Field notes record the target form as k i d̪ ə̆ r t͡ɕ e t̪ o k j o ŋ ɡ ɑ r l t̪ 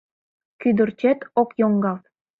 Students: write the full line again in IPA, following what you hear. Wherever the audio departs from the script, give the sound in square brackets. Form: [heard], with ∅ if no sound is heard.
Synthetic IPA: k [y] d̪ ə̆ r t͡ɕ e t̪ o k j o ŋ ɡ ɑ [∅] l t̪